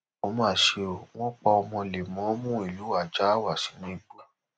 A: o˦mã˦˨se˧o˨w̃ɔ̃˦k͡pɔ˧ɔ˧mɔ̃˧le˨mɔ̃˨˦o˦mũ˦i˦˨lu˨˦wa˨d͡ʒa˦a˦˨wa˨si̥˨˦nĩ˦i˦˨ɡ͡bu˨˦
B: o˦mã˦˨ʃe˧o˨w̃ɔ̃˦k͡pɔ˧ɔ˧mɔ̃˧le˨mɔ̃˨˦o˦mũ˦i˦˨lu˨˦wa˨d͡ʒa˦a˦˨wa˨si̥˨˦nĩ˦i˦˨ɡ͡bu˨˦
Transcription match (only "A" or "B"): B